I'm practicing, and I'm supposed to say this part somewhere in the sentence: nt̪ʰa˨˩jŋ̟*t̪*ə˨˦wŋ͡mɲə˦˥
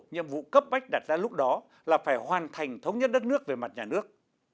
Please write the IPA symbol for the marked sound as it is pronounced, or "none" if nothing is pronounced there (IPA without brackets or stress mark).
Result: t̪ʰ